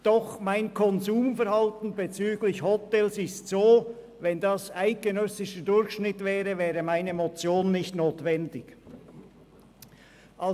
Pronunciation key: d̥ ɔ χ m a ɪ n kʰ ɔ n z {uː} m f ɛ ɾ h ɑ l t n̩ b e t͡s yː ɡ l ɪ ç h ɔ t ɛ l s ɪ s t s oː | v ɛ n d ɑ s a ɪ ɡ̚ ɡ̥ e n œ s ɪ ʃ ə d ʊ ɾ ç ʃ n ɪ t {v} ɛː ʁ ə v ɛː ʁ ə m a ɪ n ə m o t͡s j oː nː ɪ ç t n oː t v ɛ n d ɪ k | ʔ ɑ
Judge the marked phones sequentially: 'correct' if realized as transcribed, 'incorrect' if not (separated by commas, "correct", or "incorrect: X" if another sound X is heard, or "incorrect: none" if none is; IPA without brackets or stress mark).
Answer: correct, correct